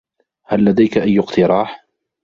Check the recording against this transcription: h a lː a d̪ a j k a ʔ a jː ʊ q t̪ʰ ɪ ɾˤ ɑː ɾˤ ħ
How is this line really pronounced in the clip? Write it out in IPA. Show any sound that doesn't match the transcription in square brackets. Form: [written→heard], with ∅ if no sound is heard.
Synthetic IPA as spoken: h a lː a d̪ a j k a ʔ a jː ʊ q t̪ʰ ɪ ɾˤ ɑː [ɾˤ→∅] ħ